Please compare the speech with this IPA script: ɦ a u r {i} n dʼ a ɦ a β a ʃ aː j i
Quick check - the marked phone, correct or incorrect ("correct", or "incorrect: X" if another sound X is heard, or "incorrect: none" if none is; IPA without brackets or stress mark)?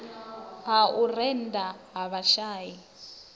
incorrect: ɛ